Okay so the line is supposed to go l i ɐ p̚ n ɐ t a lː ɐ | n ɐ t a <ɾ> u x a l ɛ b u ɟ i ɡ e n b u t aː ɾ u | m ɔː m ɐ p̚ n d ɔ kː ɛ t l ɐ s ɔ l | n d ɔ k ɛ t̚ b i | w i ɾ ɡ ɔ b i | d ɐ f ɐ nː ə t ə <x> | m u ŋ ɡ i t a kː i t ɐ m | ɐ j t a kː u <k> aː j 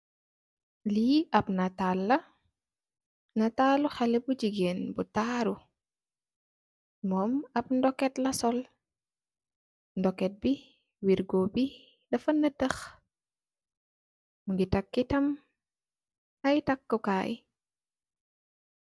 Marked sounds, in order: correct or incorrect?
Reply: incorrect, correct, correct

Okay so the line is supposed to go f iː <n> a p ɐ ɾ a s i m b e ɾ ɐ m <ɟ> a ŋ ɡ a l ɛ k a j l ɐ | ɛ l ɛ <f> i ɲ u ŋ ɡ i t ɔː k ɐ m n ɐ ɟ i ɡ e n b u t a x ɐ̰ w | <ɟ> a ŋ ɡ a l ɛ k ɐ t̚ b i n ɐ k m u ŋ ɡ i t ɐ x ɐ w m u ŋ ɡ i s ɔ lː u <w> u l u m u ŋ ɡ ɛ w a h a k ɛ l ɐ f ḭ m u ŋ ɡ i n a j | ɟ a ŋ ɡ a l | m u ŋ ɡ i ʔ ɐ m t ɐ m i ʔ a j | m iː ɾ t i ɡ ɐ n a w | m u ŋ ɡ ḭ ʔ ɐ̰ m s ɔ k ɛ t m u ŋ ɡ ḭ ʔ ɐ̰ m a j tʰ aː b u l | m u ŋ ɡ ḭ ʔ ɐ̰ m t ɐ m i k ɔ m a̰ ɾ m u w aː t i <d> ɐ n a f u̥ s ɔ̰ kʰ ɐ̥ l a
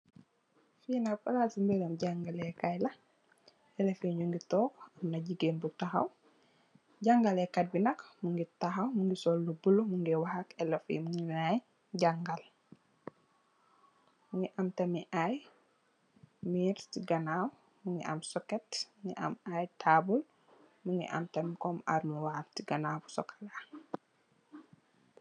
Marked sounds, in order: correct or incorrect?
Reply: correct, correct, correct, correct, incorrect, incorrect

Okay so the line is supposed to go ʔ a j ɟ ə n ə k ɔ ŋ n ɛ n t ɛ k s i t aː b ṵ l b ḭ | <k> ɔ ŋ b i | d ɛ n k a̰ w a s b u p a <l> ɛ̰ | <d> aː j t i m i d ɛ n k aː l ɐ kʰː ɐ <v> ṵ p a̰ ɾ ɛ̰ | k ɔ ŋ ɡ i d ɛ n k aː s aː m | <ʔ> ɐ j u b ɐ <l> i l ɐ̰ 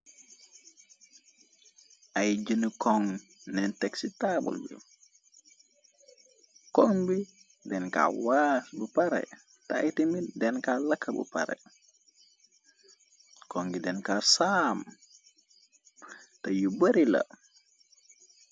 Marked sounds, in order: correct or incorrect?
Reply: correct, incorrect, incorrect, incorrect, incorrect, incorrect

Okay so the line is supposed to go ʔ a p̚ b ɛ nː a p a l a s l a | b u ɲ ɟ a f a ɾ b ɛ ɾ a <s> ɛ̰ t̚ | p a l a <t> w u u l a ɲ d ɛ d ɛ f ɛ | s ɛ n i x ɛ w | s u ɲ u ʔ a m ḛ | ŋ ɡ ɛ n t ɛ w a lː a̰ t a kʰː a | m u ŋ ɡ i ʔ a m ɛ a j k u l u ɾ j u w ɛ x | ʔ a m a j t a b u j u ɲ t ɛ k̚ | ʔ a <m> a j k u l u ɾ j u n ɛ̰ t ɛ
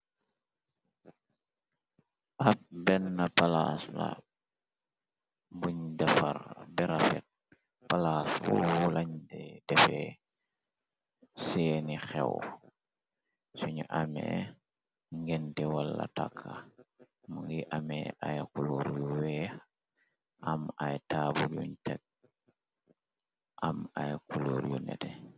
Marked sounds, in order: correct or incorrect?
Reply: incorrect, incorrect, correct

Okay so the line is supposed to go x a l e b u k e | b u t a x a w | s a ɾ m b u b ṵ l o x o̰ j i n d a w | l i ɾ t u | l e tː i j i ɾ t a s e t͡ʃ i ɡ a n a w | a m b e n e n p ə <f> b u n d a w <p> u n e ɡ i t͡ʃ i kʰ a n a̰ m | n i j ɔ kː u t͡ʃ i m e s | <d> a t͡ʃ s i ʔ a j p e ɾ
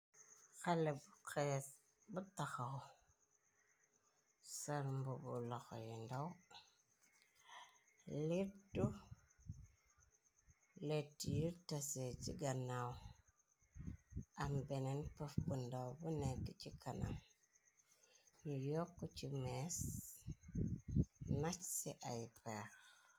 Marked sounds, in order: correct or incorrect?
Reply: correct, incorrect, incorrect

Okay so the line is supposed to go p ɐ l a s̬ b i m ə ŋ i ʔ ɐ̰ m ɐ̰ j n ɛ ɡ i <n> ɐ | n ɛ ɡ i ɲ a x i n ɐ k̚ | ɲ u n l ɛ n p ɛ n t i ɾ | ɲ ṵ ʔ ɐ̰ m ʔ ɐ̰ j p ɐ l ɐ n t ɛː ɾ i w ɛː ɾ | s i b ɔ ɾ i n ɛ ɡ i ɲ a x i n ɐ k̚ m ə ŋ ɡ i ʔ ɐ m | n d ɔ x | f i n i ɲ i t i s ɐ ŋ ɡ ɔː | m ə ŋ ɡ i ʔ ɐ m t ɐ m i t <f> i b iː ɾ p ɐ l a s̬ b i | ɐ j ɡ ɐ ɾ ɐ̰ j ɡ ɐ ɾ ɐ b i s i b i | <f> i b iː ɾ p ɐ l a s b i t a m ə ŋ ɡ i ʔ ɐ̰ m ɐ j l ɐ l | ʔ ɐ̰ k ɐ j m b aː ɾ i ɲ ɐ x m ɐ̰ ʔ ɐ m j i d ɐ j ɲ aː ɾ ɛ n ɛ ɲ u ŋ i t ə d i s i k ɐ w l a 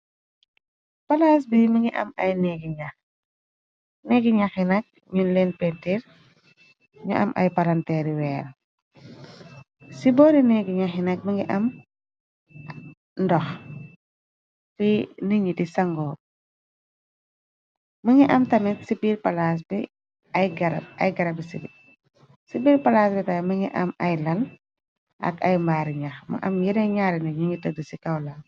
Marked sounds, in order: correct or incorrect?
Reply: incorrect, incorrect, incorrect

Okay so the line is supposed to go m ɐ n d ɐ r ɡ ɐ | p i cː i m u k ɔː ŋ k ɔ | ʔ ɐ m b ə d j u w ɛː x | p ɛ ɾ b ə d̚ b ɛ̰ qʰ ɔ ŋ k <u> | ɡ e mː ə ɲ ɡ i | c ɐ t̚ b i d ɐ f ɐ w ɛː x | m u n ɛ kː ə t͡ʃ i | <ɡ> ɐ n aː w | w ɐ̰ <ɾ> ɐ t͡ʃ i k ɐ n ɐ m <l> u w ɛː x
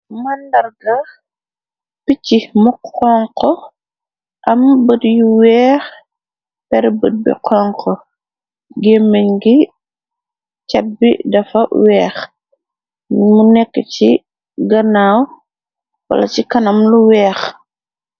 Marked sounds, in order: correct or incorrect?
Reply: incorrect, correct, incorrect, correct

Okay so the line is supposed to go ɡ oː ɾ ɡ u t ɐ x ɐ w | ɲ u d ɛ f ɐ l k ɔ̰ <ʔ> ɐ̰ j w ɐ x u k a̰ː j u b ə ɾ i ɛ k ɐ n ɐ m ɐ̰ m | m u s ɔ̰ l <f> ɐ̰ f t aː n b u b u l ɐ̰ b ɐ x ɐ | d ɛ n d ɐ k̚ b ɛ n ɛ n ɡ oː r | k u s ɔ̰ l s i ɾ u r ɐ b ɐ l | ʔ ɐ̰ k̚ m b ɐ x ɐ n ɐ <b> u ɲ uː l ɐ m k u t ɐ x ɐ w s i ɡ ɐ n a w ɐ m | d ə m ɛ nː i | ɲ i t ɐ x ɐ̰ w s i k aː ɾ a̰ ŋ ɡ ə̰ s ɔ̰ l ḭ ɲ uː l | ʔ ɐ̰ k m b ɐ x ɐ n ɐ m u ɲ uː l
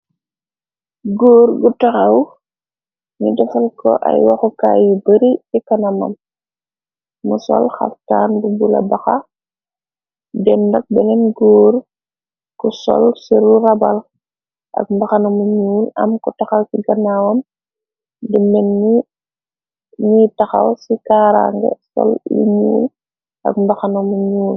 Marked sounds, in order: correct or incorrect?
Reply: correct, incorrect, incorrect

